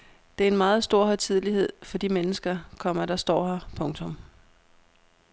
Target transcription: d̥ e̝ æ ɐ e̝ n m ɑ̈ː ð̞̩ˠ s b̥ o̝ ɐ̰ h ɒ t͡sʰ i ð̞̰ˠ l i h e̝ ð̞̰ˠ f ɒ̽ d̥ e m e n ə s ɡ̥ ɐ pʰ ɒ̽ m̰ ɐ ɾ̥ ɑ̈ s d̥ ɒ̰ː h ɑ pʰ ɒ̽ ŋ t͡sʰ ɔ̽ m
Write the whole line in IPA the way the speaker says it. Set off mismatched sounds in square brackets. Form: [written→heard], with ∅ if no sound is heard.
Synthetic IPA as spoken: d̥ e̝ æ ɐ e̝ n m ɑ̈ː ð̞̩ˠ s [b̥→d̥] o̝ ɐ̰ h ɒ t͡sʰ i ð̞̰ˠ l i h e̝ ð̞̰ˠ f ɒ̽ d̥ [e→i] m e n ə s ɡ̥ ɐ [pʰ→kʰ] ɒ̽ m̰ ɐ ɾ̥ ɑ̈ s d̥ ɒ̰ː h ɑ pʰ [ɒ̽→ɔ̽] ŋ t͡sʰ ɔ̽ m